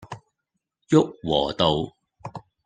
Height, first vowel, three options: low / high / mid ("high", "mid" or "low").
high